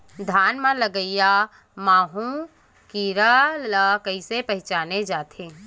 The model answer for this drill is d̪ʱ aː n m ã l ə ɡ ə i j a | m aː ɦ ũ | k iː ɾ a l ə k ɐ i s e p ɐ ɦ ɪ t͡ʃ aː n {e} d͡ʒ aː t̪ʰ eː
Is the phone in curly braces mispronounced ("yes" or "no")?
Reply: no